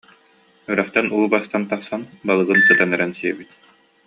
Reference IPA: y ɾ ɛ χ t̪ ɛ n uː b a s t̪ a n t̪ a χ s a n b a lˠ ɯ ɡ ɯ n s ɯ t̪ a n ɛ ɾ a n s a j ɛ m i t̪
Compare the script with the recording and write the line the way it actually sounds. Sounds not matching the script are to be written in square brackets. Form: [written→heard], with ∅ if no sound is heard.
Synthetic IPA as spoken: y ɾ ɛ χ t̪ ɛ n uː b a s t̪ a n t̪ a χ s a n b a lˠ ɯ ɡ ɯ n s ɯ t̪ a n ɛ ɾ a n s [a→i] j ɛ [m→b] i t̪